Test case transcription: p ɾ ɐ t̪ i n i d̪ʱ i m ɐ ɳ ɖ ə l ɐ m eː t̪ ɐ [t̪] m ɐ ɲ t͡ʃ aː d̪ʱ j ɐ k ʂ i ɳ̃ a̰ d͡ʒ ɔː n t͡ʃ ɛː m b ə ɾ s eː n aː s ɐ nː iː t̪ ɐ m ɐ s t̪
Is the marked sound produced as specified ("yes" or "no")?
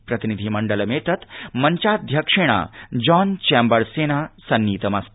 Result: yes